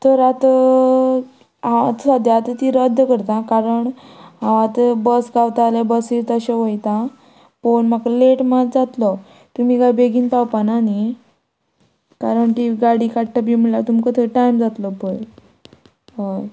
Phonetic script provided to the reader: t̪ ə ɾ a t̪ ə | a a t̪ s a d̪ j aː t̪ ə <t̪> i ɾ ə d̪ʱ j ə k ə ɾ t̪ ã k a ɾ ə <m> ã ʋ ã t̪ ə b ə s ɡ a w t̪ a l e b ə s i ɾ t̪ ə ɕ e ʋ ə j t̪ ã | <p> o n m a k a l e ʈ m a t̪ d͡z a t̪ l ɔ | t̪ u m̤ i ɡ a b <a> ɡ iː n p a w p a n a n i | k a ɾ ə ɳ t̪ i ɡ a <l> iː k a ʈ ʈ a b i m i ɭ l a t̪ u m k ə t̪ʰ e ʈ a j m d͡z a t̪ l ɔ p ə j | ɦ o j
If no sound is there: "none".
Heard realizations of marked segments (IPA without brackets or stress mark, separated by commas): t̪, ɳ, p, e, ɽ